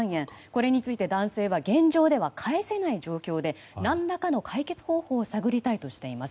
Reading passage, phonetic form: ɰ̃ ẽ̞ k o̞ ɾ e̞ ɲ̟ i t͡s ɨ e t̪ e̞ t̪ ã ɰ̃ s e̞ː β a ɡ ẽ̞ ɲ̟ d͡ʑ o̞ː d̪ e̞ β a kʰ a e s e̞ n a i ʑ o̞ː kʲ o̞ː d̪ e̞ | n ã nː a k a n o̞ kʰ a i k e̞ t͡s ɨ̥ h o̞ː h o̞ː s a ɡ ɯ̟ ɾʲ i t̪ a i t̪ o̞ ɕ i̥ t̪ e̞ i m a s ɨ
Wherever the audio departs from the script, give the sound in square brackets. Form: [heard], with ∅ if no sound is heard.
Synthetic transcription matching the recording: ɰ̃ ẽ̞ k o̞ ɾ e̞ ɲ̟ i t͡s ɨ [i] t̪ e̞ [d̪] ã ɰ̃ s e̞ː β a ɡ ẽ̞ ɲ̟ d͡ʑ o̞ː d̪ e̞ β a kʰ a e s e̞ n a i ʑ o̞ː kʲ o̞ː d̪ e̞ | n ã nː a k a n o̞ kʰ a i k e̞ t͡s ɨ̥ h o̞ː h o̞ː s a ɡ ɯ̟ ɾʲ i t̪ a i t̪ o̞ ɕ i̥ t̪ e̞ i m a s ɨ